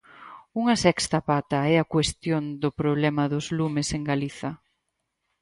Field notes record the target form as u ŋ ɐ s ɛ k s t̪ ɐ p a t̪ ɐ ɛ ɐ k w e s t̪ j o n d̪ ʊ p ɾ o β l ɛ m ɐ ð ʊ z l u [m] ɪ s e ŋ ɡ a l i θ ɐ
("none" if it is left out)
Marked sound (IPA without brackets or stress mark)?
m